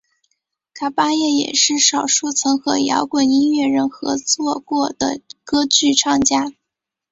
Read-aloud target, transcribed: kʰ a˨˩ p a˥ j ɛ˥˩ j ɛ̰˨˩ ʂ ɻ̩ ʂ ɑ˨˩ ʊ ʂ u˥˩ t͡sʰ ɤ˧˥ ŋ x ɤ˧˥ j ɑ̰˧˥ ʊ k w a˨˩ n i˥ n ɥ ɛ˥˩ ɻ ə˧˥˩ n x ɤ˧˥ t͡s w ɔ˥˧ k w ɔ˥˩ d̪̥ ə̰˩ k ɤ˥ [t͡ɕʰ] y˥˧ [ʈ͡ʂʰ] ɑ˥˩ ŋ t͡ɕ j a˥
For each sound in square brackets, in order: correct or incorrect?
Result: incorrect, correct

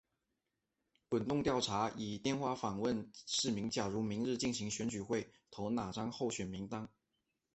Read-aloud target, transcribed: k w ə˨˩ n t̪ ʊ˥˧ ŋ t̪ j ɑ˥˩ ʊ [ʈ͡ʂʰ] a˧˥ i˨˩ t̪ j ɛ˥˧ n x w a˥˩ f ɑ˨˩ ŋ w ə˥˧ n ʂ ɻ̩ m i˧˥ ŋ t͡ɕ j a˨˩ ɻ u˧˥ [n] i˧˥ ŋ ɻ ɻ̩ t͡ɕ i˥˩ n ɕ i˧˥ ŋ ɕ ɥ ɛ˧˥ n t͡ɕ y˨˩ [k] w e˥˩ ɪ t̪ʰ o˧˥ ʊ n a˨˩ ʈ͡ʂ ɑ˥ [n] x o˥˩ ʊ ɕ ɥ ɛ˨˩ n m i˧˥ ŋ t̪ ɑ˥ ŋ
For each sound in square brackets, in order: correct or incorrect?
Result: correct, incorrect, incorrect, incorrect

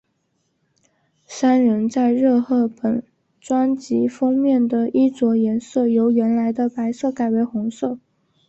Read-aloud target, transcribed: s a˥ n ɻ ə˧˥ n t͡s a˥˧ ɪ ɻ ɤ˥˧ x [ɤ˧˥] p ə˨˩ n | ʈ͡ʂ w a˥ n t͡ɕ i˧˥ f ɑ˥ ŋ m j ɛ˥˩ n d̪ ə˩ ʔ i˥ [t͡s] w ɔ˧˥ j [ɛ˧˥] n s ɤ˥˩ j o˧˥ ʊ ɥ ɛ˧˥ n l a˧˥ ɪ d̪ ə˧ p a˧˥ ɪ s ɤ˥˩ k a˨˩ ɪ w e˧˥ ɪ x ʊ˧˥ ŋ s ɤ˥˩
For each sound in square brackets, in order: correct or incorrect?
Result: incorrect, correct, correct

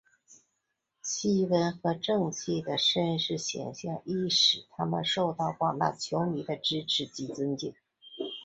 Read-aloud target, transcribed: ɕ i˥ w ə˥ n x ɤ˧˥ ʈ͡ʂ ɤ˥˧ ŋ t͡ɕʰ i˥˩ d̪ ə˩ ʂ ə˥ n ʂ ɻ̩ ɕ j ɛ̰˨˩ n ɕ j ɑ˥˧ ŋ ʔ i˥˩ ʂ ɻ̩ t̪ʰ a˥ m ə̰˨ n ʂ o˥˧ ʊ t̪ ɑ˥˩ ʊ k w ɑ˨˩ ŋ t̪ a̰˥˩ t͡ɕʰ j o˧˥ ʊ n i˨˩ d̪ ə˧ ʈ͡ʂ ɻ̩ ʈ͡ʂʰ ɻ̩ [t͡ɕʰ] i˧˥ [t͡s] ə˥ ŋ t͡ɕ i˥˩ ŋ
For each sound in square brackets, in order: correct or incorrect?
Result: incorrect, correct

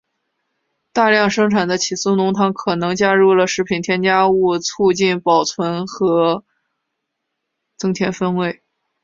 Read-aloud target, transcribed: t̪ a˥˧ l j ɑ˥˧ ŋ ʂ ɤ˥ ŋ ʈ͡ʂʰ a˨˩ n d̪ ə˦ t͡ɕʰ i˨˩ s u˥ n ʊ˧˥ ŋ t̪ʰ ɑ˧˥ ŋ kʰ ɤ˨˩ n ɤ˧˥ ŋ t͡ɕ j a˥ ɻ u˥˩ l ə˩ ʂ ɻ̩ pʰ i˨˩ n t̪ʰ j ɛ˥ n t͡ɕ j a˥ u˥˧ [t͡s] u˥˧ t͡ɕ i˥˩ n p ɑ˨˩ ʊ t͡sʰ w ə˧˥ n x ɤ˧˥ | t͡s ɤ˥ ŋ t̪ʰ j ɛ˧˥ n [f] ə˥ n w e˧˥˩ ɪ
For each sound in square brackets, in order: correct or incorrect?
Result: incorrect, correct

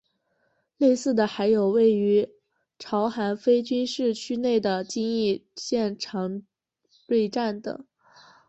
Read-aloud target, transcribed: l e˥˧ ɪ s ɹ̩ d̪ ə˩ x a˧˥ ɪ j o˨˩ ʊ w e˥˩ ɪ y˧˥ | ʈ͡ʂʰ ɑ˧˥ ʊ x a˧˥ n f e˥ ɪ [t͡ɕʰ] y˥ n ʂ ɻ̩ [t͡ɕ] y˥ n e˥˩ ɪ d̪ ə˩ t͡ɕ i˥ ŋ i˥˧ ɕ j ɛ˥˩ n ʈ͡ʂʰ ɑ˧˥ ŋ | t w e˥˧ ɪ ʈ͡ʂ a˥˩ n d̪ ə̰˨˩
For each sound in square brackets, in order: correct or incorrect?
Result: incorrect, incorrect

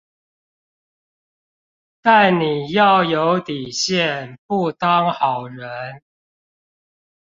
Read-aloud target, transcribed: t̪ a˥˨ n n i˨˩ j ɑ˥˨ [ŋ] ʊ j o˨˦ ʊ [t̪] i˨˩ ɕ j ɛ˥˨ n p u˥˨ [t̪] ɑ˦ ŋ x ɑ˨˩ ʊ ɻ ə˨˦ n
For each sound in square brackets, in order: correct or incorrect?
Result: incorrect, correct, correct

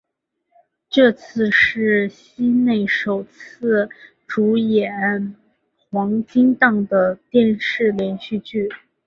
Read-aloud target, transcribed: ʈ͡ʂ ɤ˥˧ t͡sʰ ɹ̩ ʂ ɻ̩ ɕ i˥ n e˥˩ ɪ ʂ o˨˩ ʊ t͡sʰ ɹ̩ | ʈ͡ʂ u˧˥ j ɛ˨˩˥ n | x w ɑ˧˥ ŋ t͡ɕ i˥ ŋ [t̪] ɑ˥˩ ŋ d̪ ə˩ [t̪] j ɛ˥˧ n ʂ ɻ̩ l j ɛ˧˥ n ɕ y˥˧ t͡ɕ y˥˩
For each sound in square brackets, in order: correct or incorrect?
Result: correct, correct

